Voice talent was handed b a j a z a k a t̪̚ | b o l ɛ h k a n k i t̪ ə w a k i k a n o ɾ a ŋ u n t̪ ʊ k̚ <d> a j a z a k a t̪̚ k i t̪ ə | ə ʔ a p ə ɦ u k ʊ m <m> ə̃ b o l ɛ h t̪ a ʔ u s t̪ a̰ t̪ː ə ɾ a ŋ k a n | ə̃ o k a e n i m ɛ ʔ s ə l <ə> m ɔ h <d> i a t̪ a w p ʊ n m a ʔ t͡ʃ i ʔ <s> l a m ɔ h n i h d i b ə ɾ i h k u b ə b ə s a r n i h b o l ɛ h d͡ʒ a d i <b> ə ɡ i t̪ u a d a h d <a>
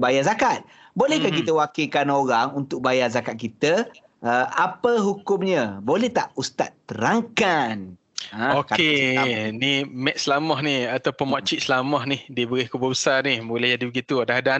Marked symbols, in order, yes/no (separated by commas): no, no, no, no, yes, yes, yes